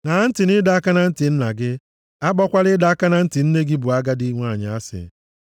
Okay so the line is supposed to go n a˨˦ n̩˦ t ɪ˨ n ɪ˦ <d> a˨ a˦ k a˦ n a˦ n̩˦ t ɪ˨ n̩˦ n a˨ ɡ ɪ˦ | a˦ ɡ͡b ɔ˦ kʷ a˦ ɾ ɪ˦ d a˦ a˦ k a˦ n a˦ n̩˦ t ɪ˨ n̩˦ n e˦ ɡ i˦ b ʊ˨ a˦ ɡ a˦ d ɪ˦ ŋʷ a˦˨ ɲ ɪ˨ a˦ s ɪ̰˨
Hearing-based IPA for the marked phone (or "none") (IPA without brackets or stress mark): d